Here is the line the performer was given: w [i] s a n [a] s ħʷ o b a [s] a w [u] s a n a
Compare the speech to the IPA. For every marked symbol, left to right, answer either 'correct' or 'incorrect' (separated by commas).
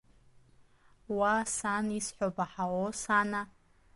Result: incorrect, incorrect, incorrect, incorrect